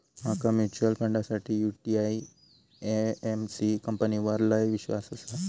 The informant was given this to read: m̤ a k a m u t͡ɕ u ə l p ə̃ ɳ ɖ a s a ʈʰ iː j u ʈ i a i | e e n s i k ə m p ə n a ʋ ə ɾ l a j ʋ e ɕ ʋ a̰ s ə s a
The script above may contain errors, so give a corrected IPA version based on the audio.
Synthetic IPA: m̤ a k a m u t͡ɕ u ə l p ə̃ ɳ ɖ a s a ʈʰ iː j u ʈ i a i | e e m s i k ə m p ə n i ʋ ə ɾ l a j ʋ i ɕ ʋ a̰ s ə s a